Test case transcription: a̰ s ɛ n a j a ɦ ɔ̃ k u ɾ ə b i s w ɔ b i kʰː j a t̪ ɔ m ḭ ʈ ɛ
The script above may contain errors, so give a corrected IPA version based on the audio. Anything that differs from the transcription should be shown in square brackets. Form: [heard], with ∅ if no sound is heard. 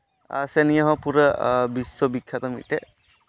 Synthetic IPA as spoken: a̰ s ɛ n [i] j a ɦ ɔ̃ [p] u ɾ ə b i s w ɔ b i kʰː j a t̪ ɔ m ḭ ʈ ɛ

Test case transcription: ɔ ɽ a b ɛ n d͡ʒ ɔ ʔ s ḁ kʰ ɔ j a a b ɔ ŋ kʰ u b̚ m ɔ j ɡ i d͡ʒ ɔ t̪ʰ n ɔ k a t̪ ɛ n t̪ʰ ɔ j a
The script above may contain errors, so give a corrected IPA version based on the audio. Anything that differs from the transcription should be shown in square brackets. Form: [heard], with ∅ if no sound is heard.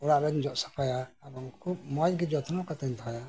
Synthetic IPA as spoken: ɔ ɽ a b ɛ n d͡ʒ ɔ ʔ s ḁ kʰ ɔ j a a b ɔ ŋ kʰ u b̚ m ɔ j ɡ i d͡ʒ ɔ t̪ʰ n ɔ k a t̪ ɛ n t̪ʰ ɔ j a

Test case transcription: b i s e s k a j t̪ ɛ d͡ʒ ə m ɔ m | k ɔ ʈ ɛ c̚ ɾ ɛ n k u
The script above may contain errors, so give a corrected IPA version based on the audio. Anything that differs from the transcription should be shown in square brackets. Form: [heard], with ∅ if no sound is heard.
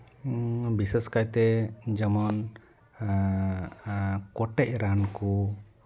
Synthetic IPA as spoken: b i s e s k a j t̪ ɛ d͡ʒ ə m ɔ [n] | k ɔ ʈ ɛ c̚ ɾ [a] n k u

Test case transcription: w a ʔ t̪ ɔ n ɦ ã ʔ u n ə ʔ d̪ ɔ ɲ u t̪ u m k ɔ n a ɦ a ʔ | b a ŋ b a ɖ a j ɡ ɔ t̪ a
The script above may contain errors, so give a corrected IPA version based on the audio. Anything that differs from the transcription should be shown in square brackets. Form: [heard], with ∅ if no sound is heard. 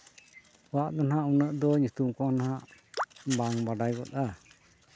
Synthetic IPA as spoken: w a ʔ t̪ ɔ n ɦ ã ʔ u n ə ʔ d̪ ɔ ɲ u t̪ u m k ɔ n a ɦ a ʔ | b a ŋ b a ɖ a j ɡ ɔ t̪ a

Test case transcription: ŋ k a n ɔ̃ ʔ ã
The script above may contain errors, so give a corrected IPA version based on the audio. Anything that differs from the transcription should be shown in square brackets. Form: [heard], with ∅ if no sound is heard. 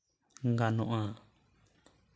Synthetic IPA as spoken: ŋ [ɡ] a n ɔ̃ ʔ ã

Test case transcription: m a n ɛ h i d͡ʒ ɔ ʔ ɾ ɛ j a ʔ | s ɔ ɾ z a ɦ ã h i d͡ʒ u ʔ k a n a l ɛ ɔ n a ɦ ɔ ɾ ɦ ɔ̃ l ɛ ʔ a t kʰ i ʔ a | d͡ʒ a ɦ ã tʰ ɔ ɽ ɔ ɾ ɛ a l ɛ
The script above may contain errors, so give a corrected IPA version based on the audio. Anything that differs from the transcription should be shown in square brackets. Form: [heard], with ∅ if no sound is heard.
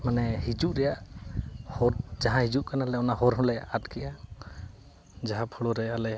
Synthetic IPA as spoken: m a n ɛ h i d͡ʒ [u] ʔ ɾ ɛ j a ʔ | [h] ɔ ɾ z a ɦ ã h i d͡ʒ u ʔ k a n a l ɛ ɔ n a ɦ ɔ ɾ ɦ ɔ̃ l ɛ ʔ a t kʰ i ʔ a | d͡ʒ a ɦ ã [pʰ] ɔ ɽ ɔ ɾ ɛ a l ɛ

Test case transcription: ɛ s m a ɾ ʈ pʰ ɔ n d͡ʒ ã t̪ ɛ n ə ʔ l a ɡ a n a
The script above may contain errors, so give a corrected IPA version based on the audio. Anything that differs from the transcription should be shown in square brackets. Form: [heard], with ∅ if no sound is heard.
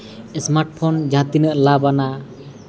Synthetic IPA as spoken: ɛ s m a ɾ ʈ pʰ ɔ n d͡ʒ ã t̪ [i] n ə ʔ l a [b] a n a

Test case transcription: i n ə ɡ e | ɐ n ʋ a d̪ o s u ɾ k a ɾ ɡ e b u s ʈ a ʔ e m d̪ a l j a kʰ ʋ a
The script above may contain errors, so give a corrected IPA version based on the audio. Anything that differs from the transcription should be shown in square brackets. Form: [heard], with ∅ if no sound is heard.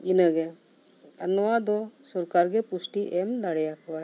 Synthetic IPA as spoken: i n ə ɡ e | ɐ n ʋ a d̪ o s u ɾ k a ɾ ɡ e [p] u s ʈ [i] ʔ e m d̪ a [ɽ] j a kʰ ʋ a

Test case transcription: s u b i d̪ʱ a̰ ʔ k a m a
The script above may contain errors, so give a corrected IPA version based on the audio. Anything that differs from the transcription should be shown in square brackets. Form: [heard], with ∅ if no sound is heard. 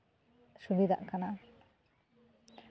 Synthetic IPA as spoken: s u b i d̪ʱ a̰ ʔ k a [n] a

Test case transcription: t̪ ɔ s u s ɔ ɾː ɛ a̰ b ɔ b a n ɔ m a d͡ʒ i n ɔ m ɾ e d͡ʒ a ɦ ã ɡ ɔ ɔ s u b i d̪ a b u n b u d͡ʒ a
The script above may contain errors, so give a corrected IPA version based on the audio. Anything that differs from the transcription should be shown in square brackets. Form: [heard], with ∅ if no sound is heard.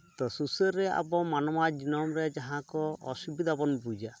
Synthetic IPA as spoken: t̪ ɔ s u s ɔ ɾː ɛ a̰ b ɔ [m] a n ɔ m a d͡ʒ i n ɔ m ɾ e d͡ʒ a ɦ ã [k] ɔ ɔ s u b i d̪ a b [ɔ] n b u d͡ʒ a

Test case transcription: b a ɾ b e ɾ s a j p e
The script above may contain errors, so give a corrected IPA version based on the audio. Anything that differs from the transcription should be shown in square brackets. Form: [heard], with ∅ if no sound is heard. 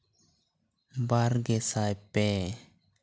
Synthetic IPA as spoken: b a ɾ [ɡ] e [∅] s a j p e

